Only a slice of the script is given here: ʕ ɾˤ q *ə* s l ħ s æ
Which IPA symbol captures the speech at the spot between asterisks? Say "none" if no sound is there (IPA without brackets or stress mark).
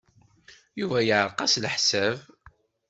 ɑ